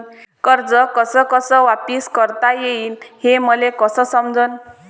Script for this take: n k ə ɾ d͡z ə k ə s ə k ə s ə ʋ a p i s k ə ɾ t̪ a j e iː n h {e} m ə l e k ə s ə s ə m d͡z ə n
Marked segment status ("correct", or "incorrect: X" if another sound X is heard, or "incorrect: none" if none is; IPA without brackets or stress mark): correct